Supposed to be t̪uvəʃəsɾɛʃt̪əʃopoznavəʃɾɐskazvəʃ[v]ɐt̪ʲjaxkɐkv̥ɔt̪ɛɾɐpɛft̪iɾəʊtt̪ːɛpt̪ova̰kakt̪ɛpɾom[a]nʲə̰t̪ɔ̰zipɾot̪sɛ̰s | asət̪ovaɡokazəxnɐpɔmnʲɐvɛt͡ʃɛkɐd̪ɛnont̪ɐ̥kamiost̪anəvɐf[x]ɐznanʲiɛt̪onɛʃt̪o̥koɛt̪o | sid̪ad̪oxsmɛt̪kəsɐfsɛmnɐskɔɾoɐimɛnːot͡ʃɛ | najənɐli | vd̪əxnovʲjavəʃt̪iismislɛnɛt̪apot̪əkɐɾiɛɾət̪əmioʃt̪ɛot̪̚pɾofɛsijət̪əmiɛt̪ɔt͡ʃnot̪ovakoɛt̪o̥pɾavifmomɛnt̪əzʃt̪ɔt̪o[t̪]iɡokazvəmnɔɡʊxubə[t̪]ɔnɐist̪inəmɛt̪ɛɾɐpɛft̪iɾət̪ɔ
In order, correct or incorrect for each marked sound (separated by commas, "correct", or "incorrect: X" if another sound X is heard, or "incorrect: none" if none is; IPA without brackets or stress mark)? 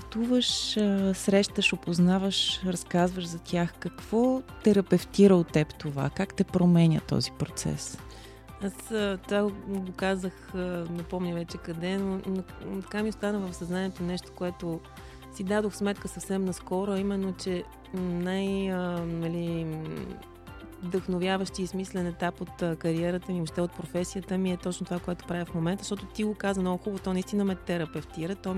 incorrect: z, incorrect: ɛ, incorrect: s, correct, correct